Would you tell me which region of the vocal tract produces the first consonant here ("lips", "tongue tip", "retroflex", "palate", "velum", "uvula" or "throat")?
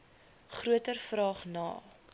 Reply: uvula